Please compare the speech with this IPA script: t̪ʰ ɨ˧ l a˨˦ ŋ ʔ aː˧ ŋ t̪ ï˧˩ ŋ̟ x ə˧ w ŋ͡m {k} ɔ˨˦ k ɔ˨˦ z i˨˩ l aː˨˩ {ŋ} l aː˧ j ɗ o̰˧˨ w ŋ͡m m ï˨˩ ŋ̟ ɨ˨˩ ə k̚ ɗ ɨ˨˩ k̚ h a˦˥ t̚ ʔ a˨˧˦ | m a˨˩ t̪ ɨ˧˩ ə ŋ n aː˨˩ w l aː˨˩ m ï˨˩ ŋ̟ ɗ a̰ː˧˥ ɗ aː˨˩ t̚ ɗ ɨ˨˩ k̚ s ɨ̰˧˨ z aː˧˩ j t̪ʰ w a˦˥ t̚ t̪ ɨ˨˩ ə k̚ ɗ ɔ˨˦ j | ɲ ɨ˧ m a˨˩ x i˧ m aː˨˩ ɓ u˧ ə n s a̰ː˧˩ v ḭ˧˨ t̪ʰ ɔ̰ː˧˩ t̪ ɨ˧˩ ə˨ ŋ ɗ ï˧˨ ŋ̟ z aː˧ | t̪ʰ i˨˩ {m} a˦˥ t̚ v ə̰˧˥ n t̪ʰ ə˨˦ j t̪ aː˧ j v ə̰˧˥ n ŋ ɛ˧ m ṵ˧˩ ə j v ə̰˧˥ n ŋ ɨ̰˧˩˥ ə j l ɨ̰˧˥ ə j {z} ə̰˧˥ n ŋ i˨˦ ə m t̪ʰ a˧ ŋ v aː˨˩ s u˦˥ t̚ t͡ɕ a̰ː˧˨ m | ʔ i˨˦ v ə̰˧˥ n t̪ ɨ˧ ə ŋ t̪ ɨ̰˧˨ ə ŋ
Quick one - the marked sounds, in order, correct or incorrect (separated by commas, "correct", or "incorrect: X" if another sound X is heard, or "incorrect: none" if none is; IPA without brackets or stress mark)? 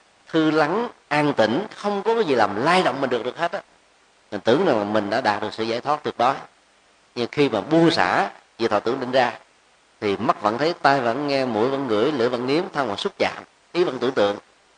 correct, incorrect: m, correct, incorrect: v